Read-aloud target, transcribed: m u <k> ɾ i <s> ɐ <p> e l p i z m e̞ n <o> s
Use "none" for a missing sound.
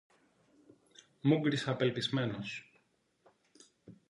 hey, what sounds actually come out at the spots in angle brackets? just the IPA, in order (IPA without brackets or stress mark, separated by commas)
ɡ, s, p, o